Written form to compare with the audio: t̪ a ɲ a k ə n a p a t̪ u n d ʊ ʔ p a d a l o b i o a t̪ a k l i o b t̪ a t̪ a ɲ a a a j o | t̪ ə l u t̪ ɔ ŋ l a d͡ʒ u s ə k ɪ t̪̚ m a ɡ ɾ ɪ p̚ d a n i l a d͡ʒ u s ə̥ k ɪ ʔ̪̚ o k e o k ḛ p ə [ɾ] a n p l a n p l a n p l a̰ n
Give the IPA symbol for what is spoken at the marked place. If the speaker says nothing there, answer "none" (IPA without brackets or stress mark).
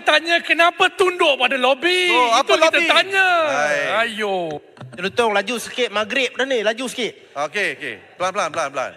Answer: l